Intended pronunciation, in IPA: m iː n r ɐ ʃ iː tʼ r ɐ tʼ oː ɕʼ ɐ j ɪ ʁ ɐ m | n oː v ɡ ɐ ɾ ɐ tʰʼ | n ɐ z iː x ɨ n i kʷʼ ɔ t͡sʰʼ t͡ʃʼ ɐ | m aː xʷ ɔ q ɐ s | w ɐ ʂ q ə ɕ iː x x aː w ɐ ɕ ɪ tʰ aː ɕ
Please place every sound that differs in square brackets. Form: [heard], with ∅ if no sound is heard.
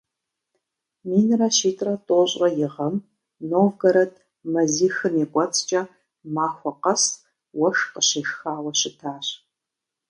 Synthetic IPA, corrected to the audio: m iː n r ɐ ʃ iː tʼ r ɐ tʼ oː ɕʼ ɐ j ɪ ʁ ɐ m | n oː v ɡ ɐ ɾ ɐ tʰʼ | [m] ɐ z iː x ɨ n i kʷʼ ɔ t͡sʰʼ t͡ʃʼ ɐ | m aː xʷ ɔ q ɐ s | w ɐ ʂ q ə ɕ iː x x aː w ɐ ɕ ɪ tʰ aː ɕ